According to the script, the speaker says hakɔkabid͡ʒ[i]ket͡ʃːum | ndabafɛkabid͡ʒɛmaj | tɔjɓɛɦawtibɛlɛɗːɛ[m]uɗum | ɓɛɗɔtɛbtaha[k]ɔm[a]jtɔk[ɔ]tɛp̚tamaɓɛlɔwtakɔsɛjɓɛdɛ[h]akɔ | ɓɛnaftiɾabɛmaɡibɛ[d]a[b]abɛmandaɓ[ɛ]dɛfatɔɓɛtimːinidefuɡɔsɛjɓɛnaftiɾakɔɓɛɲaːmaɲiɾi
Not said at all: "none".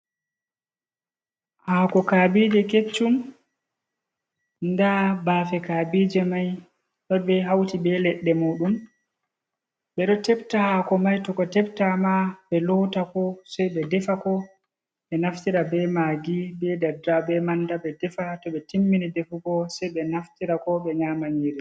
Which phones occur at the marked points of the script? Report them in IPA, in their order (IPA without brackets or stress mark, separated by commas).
ɛ, m, k, a, ɔ, f, d, d, ɛ